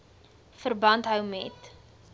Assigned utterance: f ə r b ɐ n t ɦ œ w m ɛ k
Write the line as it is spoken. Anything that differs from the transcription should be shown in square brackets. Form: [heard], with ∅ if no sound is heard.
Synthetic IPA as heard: f ə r b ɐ n t ɦ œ w m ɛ [t]